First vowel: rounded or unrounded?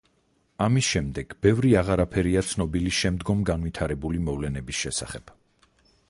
unrounded